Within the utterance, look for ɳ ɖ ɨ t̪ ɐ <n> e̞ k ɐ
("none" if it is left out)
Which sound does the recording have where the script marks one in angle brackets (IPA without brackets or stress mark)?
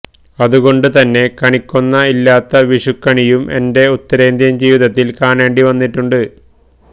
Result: nː